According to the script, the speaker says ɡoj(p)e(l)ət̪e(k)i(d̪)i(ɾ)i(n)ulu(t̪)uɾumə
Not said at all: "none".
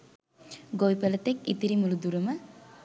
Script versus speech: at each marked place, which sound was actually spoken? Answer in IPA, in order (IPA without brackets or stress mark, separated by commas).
p, l, k, t̪, ɾ, m, d̪